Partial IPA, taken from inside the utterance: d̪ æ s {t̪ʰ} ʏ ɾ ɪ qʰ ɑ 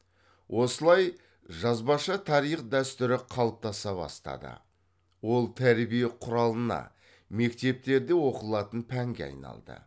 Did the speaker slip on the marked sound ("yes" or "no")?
yes